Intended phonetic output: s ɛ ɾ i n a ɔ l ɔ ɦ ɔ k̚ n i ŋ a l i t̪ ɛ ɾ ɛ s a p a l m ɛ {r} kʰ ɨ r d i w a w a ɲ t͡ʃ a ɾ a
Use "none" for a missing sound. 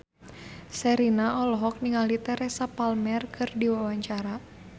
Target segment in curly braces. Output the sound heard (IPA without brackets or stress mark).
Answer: r